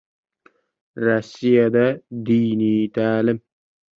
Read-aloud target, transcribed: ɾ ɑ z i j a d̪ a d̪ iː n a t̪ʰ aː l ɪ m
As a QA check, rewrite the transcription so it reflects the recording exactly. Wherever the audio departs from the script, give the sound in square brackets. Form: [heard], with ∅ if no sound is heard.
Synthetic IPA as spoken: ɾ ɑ [s] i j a d̪ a d̪ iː n [i] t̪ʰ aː l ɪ m

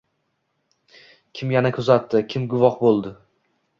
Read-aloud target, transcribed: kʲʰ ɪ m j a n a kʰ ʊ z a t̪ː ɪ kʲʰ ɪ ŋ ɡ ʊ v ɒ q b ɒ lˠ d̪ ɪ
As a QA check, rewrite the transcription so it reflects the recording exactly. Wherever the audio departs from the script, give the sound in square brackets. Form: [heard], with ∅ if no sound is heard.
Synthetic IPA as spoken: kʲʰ ɪ m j a n a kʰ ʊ z a t̪ː ɪ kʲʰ ɪ [m] ɡ ʊ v ɒ q b [o] lˠ d̪ ɪ

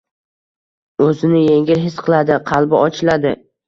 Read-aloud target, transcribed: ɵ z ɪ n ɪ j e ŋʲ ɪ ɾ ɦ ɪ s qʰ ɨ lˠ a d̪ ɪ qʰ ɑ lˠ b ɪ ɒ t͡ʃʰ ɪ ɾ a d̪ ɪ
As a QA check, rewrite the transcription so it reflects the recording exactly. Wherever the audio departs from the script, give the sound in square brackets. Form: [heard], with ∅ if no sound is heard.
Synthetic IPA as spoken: ɵ z ɪ n ɪ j e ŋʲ ɪ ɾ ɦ ɪ s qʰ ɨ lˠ a d̪ ɪ qʰ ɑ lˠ b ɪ ɒ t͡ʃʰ ɪ [l] a d̪ ɪ

